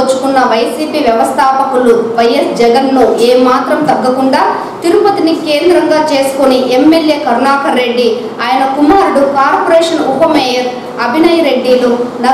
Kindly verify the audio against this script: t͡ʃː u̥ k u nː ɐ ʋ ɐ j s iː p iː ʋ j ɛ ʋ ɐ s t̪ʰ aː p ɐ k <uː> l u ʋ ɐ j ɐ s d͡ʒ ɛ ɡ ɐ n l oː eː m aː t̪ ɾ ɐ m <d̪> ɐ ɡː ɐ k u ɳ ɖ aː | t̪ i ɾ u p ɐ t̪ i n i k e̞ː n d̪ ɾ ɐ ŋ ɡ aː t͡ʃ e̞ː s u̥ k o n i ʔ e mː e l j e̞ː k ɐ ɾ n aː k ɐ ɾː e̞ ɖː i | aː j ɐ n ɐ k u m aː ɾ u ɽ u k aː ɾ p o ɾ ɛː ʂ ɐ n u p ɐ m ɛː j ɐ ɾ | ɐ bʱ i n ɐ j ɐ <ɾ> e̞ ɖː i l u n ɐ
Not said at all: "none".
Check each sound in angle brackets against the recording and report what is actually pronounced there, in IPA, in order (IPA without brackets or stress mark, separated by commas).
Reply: u, t̪, ɾ